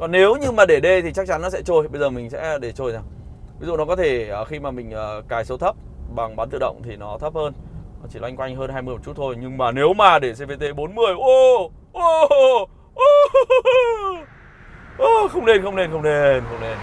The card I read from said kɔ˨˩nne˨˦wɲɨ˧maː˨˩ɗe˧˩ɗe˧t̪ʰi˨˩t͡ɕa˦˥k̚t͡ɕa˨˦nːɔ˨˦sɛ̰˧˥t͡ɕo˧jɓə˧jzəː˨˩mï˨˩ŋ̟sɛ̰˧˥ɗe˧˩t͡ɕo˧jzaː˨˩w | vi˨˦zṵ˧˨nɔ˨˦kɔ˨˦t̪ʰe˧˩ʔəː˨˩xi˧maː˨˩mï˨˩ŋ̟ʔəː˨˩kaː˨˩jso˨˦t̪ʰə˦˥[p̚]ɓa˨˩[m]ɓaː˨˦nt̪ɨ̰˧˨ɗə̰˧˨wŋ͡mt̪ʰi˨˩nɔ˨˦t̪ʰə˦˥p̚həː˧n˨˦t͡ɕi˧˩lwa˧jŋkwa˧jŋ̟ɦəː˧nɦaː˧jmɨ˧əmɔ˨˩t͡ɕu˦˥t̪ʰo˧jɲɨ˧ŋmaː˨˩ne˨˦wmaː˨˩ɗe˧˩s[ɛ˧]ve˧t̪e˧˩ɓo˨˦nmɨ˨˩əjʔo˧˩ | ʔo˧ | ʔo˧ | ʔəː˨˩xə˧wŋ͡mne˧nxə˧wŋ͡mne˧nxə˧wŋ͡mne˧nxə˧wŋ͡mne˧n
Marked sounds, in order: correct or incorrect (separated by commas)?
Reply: correct, incorrect, incorrect